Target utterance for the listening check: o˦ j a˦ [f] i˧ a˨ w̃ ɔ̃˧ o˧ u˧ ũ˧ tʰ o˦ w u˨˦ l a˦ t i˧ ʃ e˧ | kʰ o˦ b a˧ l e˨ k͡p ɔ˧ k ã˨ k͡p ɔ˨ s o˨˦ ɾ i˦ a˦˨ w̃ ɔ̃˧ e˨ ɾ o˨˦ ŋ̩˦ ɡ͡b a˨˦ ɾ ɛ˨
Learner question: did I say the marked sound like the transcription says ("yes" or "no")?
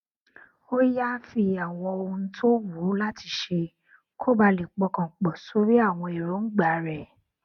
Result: yes